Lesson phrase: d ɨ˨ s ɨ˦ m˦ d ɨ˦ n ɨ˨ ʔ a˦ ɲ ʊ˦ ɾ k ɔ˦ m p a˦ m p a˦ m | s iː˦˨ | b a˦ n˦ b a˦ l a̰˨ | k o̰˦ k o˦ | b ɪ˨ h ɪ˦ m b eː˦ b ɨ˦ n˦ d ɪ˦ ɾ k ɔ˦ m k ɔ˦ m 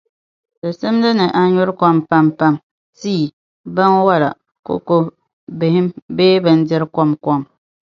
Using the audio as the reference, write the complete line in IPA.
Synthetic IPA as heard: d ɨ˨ s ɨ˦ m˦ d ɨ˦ n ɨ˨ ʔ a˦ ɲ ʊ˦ ɾ k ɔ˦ m p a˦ m p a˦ m | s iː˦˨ | b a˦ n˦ w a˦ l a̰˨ | k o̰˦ k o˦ | b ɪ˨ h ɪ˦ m b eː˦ b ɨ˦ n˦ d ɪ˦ ɾ k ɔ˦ m k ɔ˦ m